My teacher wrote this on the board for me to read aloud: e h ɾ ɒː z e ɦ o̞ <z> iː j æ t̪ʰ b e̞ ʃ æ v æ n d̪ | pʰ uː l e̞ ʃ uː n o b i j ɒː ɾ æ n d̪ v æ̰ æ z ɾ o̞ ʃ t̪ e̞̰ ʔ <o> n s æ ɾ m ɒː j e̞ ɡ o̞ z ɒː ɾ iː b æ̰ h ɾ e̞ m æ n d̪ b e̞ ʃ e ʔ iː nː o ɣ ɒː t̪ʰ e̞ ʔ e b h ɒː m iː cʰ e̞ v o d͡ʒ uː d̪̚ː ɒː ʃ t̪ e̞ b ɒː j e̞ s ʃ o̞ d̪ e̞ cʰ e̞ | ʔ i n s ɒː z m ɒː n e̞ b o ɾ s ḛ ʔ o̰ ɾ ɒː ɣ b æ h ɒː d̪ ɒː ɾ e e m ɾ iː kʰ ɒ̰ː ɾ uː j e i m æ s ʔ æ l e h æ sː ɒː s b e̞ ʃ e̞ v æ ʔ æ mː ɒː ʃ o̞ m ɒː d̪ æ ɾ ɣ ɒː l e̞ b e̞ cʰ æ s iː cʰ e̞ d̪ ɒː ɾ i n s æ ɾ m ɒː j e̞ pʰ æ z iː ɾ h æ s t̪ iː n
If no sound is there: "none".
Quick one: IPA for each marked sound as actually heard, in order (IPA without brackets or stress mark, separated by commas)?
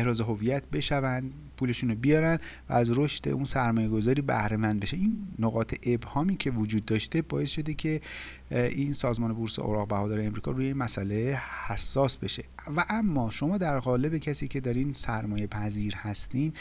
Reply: v, u